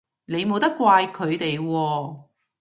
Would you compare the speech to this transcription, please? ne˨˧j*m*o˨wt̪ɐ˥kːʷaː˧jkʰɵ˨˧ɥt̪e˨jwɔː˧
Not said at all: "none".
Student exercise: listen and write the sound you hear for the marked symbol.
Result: m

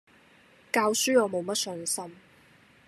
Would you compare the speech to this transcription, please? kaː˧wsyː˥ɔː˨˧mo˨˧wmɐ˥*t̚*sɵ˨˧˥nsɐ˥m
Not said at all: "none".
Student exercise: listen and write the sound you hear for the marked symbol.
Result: t̚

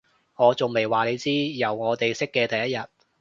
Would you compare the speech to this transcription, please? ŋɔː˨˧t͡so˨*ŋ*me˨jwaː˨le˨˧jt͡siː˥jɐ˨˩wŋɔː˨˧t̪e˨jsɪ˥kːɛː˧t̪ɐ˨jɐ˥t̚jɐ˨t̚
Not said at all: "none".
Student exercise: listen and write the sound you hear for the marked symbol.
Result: ŋ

